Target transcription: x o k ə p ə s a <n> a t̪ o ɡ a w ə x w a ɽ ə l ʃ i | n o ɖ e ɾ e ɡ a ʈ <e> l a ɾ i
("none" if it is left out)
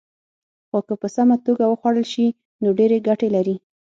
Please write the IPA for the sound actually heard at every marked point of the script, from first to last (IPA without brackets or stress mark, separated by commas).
m, e